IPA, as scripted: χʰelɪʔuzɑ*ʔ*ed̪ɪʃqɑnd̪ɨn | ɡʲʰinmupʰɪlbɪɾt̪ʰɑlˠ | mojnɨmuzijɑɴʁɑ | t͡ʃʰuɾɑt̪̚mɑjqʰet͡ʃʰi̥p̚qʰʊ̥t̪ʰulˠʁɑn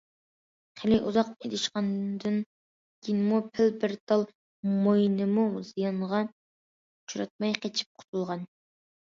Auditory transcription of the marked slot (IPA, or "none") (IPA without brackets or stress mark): q